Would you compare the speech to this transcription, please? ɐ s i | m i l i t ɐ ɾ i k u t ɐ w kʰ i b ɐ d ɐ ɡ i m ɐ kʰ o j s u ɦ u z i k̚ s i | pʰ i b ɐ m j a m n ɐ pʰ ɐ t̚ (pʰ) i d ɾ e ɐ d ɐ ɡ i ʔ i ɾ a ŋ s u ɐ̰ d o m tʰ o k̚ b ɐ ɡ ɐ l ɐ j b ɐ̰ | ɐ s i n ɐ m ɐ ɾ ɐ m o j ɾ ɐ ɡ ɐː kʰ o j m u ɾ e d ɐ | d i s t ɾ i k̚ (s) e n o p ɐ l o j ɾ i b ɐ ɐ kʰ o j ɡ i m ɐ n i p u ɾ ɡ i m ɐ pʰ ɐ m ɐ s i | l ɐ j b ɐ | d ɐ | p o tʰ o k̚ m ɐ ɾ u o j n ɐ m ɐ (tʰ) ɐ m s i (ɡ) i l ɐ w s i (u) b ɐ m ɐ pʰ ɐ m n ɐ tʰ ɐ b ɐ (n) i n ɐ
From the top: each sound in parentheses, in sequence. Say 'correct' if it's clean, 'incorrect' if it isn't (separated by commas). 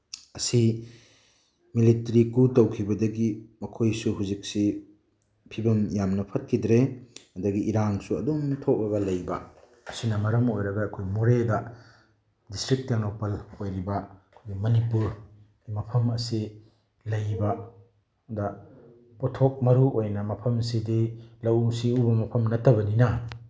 incorrect, incorrect, incorrect, incorrect, correct, correct